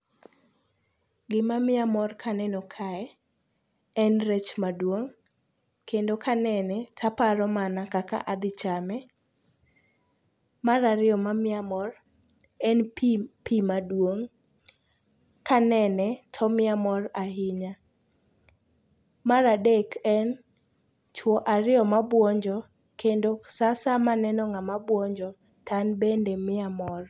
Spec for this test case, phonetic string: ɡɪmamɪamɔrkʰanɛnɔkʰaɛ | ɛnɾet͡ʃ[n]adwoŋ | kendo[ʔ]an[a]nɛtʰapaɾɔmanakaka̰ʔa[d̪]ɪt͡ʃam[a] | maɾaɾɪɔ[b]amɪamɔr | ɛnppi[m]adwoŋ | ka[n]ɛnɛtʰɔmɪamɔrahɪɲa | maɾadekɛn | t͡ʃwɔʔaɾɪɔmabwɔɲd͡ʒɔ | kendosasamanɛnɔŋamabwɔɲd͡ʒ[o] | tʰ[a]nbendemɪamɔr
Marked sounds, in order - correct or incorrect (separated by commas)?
incorrect, incorrect, incorrect, correct, incorrect, incorrect, correct, correct, incorrect, correct